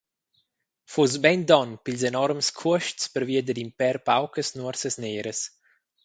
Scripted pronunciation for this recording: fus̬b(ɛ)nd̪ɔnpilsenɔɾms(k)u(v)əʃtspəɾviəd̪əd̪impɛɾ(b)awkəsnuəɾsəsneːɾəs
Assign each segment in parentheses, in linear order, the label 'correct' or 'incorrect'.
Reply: correct, incorrect: kʰ, incorrect: none, incorrect: p

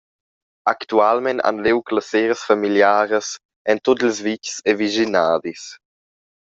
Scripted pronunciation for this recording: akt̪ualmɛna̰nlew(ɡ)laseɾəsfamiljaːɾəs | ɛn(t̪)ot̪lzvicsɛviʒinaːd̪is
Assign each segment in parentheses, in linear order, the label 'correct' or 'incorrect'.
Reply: incorrect: k, correct

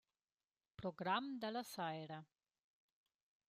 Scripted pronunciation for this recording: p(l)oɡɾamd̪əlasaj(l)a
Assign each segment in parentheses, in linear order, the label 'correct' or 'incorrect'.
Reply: incorrect: ɾ, incorrect: ɾ

